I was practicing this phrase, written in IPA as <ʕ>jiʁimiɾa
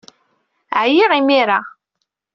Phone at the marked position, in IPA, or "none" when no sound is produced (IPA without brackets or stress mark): ʕ